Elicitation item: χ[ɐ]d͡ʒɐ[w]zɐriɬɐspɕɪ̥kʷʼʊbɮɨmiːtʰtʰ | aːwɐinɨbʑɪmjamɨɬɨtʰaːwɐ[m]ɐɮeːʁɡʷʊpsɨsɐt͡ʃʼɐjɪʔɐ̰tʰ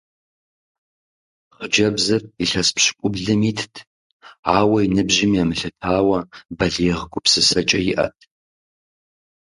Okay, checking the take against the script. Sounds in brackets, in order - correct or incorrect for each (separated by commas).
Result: incorrect, incorrect, incorrect